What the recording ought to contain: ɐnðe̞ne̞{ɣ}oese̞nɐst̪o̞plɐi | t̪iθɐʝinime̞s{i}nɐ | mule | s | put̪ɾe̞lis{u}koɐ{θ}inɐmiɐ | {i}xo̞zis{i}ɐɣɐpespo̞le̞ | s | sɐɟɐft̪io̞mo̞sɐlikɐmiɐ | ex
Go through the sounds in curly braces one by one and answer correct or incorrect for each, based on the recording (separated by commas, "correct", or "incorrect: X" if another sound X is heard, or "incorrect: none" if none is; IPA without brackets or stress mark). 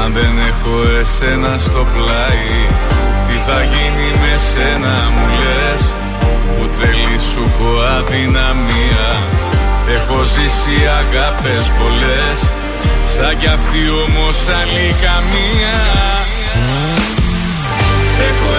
incorrect: x, incorrect: e, correct, incorrect: ð, incorrect: e, correct